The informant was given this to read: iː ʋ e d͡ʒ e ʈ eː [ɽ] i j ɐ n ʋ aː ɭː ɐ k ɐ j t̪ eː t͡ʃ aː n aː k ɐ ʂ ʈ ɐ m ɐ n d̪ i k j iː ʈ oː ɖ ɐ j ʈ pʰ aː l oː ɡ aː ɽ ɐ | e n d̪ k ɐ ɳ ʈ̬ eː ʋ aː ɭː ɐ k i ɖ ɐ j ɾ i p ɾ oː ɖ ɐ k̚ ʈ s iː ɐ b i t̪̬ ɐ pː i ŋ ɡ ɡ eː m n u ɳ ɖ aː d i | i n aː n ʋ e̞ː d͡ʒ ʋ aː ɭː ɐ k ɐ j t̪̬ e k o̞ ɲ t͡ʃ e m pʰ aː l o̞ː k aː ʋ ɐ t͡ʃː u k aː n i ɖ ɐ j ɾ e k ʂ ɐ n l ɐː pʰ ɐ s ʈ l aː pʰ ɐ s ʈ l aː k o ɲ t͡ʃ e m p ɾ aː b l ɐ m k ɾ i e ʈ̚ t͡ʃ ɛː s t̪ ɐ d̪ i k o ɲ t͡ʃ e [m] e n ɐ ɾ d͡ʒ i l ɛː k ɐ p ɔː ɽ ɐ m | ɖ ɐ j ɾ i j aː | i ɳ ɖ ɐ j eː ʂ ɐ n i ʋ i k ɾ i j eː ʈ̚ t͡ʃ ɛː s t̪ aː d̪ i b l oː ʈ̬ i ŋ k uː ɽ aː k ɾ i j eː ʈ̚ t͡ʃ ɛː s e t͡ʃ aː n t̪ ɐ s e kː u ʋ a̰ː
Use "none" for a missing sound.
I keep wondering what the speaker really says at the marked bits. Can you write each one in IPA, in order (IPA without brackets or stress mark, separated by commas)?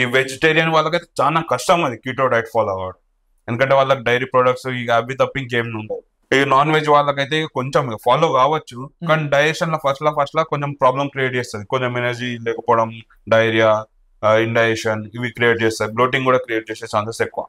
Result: ɾ, m